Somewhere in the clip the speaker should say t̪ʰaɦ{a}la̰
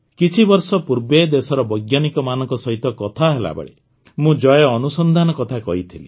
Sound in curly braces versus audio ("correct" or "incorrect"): incorrect